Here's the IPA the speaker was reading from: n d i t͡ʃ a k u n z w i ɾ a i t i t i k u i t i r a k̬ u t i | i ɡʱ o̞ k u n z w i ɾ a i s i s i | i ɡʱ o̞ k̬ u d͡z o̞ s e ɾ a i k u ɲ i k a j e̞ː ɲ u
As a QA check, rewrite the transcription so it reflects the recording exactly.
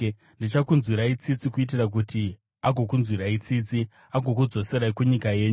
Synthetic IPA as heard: n d i t͡ʃ a k u n z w i ɾ a i t͡s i t͡s i k u i t i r a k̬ u t i | a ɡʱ o̞ k u n z w i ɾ a i t͡s i t͡s i | a ɡʱ o̞ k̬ u d͡z o̞ s e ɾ a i k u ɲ i k a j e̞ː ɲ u